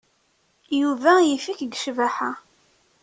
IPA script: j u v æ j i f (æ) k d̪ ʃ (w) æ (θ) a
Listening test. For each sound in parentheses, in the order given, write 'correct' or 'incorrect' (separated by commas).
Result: incorrect, incorrect, incorrect